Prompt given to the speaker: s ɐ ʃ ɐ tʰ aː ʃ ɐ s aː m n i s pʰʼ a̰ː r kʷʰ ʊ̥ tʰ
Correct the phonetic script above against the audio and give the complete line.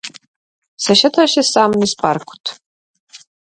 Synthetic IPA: s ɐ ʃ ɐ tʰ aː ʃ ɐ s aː m n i s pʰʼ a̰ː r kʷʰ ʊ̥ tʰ